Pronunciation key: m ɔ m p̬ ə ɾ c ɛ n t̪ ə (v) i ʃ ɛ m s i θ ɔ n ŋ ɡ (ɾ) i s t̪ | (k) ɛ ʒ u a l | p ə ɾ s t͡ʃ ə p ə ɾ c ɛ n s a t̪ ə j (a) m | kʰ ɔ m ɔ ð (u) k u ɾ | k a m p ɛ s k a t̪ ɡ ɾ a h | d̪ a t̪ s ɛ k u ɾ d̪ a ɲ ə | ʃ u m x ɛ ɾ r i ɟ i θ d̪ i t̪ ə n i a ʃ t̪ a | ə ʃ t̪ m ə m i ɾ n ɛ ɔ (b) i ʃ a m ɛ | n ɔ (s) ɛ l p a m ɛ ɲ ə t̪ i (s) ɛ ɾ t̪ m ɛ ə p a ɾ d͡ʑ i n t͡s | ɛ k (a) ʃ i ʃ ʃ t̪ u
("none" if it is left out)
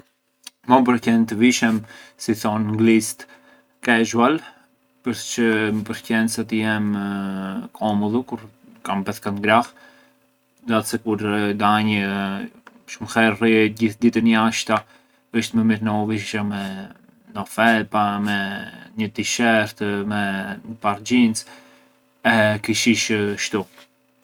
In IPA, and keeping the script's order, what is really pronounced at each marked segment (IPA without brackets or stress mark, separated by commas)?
v, l, k, ɛ, u, v, f, ʃ, i